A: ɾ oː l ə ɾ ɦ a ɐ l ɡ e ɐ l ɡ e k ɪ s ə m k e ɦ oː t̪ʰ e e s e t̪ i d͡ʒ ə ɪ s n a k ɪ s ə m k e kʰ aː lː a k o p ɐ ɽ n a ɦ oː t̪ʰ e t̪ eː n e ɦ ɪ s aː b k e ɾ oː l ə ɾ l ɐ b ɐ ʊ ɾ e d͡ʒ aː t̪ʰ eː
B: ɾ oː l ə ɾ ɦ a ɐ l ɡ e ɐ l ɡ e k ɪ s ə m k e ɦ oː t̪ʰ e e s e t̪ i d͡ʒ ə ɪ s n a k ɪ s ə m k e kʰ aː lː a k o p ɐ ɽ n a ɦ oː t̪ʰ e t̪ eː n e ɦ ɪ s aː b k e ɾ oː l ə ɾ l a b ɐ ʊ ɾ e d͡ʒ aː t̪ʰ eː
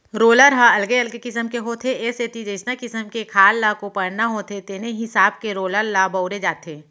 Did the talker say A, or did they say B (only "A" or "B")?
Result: B